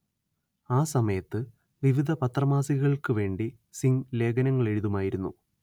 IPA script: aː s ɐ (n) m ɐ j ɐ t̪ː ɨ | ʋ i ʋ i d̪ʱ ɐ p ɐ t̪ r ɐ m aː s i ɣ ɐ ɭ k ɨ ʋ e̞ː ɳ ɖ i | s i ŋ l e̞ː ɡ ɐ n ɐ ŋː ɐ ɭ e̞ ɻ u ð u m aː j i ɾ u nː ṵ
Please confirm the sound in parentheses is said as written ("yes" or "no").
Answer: no